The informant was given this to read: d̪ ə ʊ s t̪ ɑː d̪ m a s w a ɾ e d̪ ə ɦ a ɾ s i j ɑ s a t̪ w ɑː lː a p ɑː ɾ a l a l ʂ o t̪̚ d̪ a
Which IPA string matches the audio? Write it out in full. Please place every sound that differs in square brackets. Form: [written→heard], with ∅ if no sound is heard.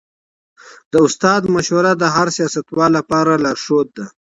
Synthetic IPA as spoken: d̪ ə ʊ s t̪ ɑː d̪ m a [s→ʃ] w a ɾ [e→a] d̪ ə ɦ a ɾ s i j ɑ s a t̪ w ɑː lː a p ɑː ɾ a l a [l→ɾ] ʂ o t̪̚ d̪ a